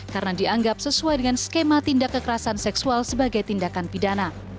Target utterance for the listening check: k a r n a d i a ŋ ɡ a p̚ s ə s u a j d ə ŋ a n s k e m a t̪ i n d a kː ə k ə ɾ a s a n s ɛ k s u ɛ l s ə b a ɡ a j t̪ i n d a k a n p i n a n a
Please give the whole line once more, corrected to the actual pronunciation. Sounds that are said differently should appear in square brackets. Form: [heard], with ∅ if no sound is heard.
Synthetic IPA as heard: k a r n a d i a ŋ ɡ a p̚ s ə s u a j d ə ŋ a n s k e m a t̪ i n d a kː ə k ə ɾ a s a n s ɛ k s u [a] l s ə b a ɡ a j t̪ i n d a k a n p i [d] a n a